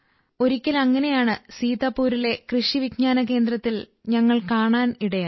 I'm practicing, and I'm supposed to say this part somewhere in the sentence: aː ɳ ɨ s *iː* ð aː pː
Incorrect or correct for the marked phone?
correct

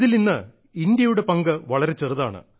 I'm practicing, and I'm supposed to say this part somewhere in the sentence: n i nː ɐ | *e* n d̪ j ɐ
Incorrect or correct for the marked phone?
incorrect: i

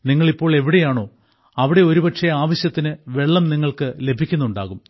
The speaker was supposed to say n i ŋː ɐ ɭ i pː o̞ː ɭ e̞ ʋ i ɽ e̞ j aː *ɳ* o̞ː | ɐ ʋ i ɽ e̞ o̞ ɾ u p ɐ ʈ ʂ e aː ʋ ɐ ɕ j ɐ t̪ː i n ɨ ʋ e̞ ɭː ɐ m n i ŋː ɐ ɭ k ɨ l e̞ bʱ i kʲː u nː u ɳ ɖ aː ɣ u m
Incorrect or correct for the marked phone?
correct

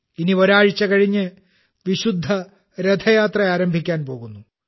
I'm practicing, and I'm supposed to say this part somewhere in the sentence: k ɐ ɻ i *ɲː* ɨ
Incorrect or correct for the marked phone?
correct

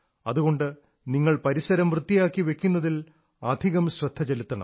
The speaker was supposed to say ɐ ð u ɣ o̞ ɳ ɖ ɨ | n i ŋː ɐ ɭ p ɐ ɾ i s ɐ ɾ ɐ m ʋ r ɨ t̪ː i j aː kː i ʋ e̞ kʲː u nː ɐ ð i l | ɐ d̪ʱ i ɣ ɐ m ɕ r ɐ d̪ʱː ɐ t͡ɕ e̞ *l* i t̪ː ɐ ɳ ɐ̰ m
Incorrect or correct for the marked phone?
correct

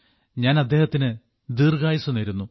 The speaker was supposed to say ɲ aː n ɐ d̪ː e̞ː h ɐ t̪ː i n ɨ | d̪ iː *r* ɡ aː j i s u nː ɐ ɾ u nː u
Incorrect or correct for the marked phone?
correct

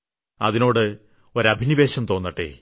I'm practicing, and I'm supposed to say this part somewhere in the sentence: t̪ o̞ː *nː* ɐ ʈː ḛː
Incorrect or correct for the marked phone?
correct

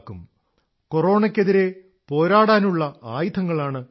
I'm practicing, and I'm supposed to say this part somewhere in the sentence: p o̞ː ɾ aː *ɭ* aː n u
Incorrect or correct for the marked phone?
incorrect: ɽ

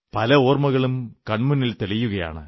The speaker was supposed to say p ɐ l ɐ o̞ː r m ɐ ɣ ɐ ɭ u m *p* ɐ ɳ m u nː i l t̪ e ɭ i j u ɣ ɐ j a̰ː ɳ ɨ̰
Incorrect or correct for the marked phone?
incorrect: k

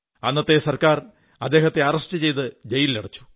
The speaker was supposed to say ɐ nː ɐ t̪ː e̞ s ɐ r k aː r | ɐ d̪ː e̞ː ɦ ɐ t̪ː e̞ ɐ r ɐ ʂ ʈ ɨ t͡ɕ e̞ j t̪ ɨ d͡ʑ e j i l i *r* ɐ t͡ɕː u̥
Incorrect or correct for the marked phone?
incorrect: ɽ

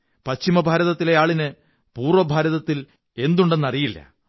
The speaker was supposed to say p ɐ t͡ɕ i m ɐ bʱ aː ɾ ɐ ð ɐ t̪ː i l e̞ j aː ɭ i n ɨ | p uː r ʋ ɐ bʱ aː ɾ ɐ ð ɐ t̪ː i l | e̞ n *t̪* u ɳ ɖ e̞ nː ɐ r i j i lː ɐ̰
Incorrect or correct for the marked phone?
incorrect: d̪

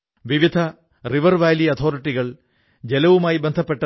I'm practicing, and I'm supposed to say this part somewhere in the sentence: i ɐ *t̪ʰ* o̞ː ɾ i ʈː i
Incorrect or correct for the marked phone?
correct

